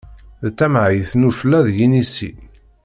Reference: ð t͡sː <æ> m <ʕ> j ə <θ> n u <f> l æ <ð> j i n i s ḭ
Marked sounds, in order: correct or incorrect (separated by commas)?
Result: correct, correct, correct, correct, correct